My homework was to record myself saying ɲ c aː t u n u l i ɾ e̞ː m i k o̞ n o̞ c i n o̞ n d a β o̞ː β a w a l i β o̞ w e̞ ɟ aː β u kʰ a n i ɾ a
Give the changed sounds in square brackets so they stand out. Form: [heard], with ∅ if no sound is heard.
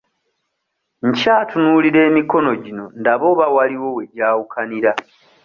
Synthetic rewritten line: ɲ c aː t u n u l i ɾ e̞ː m i k o̞ n o̞ [ɟ] i n o̞ n d a β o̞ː β a w a l i [w] o̞ w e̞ ɟ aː [w] u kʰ a n i ɾ a